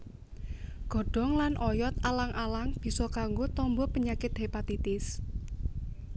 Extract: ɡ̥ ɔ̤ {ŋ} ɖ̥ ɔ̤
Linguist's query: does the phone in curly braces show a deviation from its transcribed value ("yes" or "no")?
yes